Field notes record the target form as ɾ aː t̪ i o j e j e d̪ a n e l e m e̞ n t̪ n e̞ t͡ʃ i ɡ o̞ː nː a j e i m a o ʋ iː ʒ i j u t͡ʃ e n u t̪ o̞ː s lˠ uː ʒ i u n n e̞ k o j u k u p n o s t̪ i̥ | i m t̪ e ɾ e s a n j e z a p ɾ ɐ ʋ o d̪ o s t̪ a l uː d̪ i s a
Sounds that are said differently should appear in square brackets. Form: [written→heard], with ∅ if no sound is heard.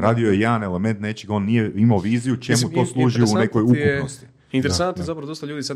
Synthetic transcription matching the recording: ɾ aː [t̪→d̪] i o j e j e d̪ a n e l e m e̞ n t̪ n e̞ t͡ʃ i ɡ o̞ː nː [a→i] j e i m a o ʋ iː [ʒ→z] i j u t͡ʃ e [n→m] u t̪ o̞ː s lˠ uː ʒ i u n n e̞ k o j u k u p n o s t̪ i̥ | i [m→n] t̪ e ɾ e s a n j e z a p ɾ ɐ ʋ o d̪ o s t̪ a [l→ʎ] uː d̪ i s a